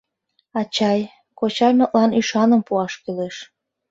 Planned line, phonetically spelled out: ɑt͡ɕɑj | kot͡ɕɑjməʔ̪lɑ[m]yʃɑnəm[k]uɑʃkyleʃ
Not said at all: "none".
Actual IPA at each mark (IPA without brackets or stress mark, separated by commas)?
n, p